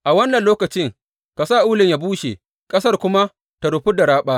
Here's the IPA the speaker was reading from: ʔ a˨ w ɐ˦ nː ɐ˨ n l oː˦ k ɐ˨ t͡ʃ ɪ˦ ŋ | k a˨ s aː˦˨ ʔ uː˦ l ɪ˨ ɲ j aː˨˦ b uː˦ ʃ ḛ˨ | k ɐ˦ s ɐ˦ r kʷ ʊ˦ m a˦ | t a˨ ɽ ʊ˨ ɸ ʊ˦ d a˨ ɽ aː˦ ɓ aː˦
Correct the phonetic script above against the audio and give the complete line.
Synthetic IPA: ʔ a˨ w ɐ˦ nː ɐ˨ n l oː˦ k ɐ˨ t͡ʃ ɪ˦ ŋ | k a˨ s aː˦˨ ʔ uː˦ l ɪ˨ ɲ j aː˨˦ b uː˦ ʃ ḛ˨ | kʼ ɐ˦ s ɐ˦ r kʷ ʊ˦ m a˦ | t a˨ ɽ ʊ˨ ɸ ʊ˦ d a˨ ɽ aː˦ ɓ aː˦

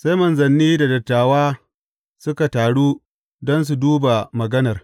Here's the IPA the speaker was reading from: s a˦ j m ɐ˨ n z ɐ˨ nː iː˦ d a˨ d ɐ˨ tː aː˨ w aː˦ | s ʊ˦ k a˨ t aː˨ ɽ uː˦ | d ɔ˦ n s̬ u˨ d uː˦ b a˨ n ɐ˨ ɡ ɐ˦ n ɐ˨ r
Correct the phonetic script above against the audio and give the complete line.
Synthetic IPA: s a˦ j m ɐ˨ n z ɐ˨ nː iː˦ d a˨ d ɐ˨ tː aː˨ w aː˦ | s ʊ˦ k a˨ t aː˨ ɽ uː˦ | d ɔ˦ n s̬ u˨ d uː˦ b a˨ m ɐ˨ ɡ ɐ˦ n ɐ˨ r

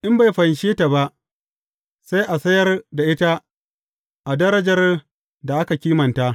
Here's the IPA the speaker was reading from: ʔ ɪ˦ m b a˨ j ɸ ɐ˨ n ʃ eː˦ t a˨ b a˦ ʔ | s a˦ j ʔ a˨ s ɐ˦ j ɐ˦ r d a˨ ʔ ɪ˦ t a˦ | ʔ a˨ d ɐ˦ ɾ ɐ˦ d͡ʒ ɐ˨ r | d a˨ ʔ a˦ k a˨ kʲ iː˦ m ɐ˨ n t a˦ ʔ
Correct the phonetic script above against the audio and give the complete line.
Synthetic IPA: ʔ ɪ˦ m b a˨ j ɸ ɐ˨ n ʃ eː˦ t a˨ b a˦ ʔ | s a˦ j ʔ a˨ s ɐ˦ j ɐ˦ r d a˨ ʔ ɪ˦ t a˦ | ʔ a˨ d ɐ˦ ɾ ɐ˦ d͡ʒ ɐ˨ r | d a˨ ʔ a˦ k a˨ kʲ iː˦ m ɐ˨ n t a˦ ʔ

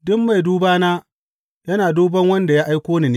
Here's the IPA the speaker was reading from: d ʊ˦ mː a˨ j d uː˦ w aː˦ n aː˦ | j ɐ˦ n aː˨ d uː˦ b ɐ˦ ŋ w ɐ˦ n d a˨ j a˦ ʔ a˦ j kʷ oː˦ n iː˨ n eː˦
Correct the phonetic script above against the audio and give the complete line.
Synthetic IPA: d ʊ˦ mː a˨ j d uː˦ b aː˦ n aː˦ | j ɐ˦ n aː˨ d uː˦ b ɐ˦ ŋ w ɐ˦ n d a˨ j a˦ ʔ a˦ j kʷ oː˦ n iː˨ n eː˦

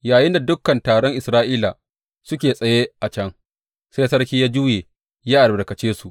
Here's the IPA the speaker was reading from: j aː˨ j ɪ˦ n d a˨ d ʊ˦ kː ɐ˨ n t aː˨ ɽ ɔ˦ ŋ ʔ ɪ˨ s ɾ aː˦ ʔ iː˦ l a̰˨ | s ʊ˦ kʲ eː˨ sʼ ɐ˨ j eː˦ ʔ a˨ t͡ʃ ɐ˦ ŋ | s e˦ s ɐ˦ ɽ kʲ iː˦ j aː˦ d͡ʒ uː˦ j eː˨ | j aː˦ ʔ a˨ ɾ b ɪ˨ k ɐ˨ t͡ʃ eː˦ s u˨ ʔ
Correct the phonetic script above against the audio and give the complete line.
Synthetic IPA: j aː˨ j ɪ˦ n d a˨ d ʊ˦ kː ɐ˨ n t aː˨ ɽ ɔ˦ ŋ ʔ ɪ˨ s ɾ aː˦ ʔ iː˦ l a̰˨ | s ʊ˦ kʲ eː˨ sʼ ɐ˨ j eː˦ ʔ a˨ t͡ʃ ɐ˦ ŋ | s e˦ s ɐ˦ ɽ kʲ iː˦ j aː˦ d͡ʒ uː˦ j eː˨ | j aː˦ ʔ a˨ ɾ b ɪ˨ k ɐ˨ t͡ʃ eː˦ s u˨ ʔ

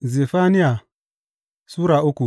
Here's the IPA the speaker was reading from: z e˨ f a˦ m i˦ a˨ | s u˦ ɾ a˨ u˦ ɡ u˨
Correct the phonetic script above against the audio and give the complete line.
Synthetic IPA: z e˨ f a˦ n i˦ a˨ | s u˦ ɾ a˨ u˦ k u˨

